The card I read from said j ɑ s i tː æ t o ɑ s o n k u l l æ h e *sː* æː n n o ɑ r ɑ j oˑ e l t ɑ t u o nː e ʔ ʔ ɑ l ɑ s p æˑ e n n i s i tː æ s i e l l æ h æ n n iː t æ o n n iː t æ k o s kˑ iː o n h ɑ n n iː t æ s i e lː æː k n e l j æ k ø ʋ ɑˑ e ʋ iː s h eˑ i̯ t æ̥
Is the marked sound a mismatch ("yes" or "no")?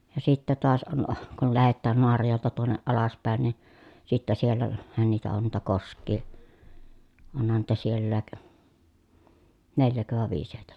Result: yes